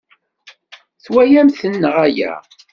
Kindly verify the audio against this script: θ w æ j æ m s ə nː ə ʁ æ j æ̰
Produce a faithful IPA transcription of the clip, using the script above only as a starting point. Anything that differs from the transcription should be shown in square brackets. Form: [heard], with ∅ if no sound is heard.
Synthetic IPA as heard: θ w æ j æ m [θ] ə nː ə ʁ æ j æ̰